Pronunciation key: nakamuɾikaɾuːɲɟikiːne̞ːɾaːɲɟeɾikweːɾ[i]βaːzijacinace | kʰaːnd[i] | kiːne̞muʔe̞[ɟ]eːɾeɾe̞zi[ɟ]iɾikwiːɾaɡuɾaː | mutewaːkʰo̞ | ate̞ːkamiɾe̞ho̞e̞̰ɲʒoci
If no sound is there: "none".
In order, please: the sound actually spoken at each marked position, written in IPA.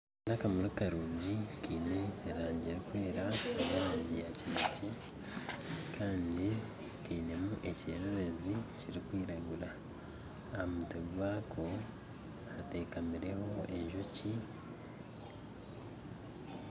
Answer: a, i, c, c

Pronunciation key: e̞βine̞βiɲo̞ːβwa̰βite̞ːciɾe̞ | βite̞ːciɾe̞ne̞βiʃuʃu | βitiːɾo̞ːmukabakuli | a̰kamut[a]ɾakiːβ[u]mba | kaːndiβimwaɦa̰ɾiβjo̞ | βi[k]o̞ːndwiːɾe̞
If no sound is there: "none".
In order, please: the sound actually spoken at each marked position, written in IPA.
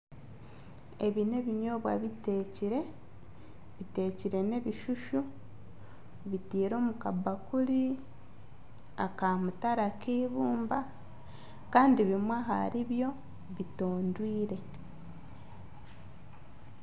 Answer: a, uː, t

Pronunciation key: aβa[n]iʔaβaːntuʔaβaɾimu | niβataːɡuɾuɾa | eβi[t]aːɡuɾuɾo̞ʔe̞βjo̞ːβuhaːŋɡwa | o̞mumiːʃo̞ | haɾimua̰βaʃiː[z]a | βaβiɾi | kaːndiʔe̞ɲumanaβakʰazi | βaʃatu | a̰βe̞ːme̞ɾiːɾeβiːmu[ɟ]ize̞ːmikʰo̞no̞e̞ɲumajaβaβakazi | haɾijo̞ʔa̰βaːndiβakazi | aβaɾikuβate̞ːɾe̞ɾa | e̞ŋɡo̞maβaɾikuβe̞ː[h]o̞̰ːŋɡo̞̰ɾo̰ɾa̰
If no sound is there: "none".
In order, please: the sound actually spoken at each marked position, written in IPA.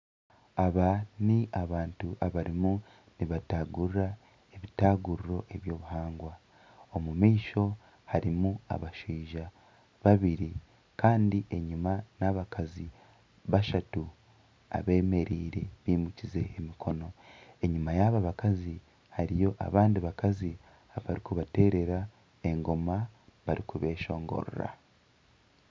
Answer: n, t, ʒ, c, ʃ

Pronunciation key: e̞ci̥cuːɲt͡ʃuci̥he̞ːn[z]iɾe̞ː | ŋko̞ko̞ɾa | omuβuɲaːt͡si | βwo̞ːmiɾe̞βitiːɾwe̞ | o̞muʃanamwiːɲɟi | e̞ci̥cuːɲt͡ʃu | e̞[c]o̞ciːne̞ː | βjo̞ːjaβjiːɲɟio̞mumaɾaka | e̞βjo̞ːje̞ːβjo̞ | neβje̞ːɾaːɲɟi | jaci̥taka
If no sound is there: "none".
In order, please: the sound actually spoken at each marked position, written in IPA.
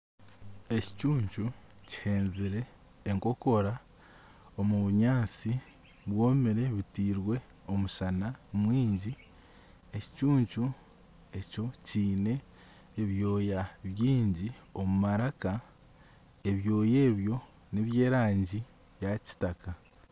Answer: z, c

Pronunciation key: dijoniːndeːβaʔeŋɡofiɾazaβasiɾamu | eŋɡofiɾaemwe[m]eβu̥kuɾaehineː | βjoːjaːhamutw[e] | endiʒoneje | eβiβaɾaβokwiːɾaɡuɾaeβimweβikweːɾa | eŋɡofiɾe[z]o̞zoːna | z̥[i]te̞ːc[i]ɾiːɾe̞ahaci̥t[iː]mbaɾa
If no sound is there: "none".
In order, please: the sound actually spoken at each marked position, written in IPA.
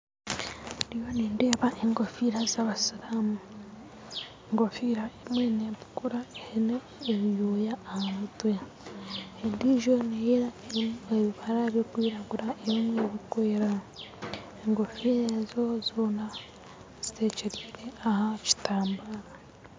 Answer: n, e, z, i, e, aː

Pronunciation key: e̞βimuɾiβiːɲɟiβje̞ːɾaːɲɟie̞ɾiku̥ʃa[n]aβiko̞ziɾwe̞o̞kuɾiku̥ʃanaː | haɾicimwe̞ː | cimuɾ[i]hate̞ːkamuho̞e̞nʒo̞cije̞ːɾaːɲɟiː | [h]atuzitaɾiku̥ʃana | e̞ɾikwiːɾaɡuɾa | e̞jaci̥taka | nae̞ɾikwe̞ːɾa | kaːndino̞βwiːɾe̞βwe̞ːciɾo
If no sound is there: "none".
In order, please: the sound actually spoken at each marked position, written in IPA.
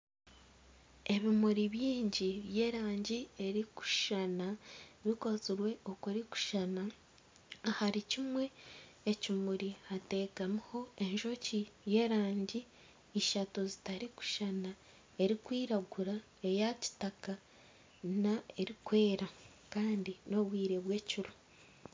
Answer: n, i, ʃ

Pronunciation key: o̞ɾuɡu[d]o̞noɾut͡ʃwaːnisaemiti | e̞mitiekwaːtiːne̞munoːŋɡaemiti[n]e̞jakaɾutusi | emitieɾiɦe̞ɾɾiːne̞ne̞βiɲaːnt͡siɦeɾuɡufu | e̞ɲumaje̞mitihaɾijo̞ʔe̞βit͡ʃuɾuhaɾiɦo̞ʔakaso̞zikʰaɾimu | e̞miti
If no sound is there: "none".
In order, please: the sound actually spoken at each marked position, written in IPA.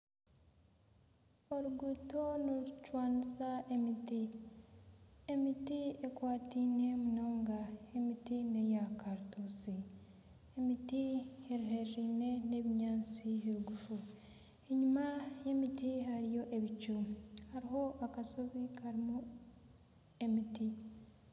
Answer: t, n

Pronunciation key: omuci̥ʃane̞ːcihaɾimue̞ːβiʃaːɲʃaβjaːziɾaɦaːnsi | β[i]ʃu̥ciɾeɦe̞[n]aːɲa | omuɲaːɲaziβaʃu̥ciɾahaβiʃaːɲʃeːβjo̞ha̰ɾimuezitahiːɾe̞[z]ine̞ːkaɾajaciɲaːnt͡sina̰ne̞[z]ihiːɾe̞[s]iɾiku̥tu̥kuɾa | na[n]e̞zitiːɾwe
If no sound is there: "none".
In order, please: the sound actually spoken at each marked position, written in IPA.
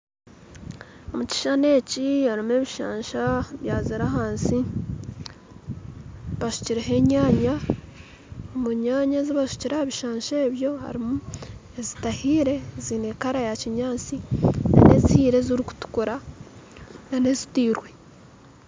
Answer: a, ɲ, z, z, z, n

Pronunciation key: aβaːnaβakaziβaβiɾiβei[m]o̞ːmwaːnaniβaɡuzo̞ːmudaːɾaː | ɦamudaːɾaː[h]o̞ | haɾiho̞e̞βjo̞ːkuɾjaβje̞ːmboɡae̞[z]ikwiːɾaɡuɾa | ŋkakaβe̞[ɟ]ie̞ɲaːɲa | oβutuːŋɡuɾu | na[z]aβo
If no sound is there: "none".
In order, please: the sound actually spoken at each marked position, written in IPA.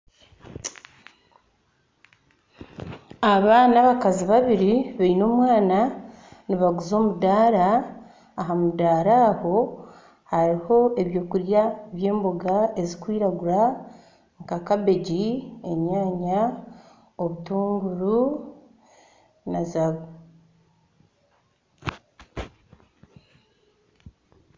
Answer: n, h, z, ɟ, z

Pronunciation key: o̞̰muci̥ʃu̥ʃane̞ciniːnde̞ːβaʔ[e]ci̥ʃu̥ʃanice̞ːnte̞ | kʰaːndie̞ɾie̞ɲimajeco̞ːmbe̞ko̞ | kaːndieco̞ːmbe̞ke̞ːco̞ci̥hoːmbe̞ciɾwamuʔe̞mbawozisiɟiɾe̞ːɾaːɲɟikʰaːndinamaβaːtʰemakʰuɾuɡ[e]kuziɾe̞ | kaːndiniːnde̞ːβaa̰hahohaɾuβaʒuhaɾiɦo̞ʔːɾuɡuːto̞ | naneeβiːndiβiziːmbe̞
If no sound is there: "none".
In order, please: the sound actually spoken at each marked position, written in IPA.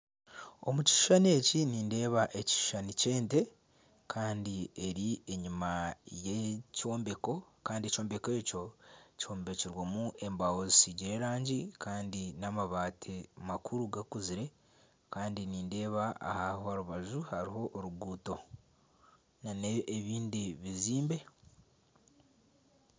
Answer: e, a

